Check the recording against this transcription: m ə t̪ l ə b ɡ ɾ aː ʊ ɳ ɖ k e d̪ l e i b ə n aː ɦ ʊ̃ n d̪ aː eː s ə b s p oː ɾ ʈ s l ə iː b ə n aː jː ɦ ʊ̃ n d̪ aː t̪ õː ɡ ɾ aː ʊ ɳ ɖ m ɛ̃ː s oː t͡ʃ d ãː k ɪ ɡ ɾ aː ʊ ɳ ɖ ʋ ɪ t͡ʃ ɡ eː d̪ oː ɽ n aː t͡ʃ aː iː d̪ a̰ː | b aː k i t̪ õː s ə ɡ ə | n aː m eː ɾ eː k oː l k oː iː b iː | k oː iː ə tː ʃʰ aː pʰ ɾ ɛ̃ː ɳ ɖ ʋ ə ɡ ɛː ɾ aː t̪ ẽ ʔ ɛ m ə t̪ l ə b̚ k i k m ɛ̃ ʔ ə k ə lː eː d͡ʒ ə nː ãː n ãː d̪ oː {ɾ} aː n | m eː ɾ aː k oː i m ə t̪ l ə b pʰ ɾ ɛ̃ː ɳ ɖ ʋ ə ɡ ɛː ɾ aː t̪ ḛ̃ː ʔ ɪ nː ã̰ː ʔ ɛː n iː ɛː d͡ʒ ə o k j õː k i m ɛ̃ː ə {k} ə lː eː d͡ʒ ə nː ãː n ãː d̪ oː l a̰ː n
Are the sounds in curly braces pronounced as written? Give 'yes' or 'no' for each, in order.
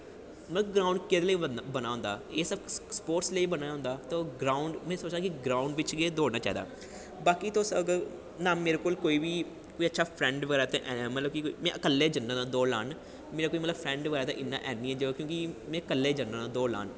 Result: no, yes

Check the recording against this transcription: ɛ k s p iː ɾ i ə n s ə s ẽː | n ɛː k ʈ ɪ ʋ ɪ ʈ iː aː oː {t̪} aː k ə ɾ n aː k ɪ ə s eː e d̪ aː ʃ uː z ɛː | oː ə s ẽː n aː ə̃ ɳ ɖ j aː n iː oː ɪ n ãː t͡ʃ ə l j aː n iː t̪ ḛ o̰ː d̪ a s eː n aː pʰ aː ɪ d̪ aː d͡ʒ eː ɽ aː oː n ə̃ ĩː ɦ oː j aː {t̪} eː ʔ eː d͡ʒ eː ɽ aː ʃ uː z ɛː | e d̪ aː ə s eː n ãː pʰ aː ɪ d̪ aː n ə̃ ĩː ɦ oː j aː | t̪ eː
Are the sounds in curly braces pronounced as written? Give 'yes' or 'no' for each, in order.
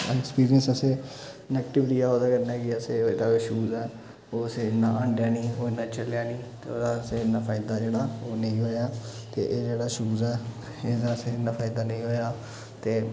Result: no, yes

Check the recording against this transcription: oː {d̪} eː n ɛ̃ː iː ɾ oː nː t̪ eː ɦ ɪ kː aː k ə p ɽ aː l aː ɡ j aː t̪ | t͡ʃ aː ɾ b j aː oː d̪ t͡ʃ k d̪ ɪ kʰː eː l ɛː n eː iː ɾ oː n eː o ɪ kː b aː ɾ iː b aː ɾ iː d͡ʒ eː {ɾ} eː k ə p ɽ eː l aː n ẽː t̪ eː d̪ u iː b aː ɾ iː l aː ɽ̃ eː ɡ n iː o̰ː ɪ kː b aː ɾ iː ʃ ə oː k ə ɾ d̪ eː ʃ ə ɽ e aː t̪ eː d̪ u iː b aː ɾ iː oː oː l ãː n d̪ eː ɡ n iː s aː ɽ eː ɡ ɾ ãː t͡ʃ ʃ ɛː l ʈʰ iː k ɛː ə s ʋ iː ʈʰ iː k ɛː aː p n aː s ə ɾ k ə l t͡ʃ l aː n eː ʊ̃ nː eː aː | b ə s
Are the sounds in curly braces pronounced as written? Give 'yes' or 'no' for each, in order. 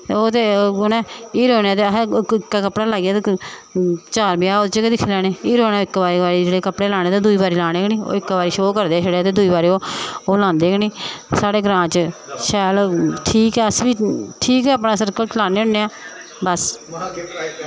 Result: no, no

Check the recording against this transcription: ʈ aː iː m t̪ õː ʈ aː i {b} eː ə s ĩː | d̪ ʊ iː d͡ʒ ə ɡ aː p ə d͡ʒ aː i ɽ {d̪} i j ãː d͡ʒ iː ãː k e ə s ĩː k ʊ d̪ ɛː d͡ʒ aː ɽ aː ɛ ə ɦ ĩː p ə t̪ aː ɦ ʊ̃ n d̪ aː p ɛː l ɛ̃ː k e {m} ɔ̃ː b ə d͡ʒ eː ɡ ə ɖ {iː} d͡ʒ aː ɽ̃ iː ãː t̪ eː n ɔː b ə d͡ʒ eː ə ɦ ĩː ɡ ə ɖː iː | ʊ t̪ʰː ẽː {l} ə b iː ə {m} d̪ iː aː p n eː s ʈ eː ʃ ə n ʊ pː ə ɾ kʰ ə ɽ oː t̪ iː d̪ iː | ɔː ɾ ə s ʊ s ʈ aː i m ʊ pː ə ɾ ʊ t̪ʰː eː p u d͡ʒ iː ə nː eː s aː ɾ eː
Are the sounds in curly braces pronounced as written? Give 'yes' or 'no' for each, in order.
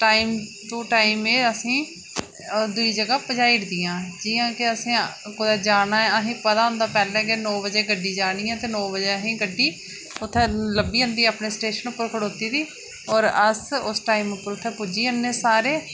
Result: no, yes, no, yes, yes, no

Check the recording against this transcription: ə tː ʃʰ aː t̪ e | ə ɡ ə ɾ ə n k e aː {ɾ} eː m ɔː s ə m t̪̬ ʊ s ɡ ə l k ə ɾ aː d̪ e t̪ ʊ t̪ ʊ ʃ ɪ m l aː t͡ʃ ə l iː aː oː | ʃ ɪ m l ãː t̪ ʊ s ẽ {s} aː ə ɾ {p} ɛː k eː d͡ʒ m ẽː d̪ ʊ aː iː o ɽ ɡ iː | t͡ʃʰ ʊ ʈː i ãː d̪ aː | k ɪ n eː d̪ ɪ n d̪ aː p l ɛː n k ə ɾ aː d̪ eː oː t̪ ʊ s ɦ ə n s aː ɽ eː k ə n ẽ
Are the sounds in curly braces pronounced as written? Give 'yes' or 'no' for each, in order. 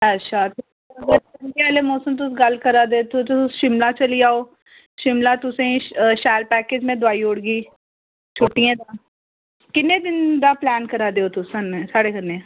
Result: no, no, yes

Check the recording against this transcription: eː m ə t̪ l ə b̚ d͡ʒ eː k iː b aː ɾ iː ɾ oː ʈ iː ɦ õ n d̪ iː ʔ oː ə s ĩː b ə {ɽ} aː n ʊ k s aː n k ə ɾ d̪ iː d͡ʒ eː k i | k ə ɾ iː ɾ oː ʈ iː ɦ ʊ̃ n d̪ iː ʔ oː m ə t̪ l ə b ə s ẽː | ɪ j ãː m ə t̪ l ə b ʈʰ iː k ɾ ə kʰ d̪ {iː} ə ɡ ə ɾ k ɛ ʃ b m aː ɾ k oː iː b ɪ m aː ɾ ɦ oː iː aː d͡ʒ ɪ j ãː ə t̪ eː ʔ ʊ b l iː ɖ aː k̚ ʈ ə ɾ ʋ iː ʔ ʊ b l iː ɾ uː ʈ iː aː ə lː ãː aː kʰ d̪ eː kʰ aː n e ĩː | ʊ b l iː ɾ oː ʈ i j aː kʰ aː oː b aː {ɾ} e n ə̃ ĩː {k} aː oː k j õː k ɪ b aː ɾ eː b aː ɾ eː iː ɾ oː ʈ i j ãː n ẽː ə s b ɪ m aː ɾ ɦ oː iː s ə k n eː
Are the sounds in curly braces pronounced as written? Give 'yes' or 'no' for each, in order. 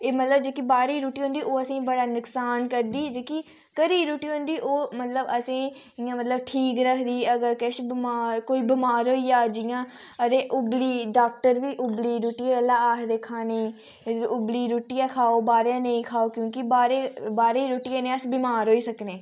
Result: yes, yes, yes, no

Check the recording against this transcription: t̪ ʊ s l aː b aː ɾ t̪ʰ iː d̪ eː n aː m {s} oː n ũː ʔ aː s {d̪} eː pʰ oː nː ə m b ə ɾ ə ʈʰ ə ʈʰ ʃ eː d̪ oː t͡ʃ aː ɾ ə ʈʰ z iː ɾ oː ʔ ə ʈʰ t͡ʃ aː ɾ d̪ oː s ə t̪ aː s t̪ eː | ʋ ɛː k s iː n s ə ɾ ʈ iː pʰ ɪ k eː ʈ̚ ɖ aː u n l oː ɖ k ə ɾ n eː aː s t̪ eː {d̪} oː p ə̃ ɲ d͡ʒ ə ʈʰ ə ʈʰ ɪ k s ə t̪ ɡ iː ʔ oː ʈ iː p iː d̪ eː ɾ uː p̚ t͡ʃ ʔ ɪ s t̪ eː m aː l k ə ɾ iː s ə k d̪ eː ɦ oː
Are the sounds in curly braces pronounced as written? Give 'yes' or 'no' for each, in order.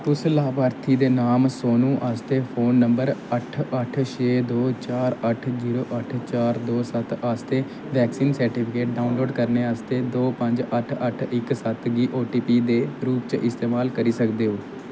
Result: yes, no, yes

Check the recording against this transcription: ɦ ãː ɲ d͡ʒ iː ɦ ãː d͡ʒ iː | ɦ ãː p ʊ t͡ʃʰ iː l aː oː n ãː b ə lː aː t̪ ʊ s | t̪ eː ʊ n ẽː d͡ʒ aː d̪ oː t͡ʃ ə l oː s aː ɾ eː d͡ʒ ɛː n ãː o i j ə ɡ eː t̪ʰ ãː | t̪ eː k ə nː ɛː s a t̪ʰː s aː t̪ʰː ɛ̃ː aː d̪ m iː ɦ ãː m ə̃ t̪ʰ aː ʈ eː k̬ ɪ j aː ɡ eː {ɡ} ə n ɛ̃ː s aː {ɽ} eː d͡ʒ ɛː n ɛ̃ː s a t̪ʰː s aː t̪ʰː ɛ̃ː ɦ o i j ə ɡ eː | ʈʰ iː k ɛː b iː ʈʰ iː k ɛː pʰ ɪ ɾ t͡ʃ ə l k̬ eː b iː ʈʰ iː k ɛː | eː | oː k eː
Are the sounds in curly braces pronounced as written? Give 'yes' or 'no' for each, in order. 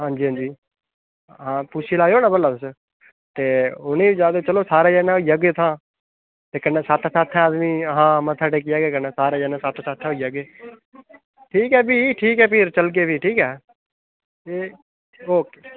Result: no, no

